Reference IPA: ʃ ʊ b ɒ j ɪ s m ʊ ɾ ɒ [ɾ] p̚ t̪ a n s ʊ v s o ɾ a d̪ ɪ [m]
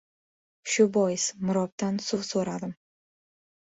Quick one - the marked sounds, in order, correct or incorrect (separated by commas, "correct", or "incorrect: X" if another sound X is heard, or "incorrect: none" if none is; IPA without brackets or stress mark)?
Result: incorrect: none, correct